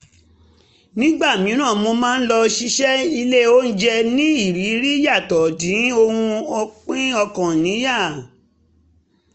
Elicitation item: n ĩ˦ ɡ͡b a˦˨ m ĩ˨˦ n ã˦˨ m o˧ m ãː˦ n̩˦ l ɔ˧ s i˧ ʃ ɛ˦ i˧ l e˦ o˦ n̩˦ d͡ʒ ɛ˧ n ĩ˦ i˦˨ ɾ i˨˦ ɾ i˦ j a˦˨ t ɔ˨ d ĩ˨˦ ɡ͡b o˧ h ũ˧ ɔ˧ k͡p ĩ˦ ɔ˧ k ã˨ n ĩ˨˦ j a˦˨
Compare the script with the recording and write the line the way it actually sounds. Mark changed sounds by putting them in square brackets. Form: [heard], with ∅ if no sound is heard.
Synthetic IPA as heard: n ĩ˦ ɡ͡b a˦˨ m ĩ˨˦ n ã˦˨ m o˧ m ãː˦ n̩˦ l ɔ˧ [ʃ] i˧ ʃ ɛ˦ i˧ l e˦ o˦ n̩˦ d͡ʒ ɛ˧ n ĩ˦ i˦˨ ɾ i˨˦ ɾ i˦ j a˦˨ t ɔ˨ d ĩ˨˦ [∅] o˧ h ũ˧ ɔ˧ k͡p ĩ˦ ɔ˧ k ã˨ n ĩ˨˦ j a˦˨